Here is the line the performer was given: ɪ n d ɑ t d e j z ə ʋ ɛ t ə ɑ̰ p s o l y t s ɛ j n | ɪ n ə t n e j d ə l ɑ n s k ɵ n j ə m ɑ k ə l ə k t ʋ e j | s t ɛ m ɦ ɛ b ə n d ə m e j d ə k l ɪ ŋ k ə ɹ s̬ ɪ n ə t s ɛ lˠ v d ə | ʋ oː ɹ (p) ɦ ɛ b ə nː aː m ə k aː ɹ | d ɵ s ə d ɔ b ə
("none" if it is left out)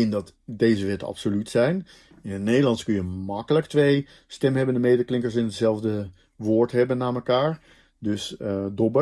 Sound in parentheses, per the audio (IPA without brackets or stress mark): t